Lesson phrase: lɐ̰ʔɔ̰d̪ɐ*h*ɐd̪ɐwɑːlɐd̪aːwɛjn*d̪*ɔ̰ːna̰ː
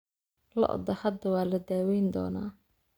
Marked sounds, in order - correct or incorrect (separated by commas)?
correct, correct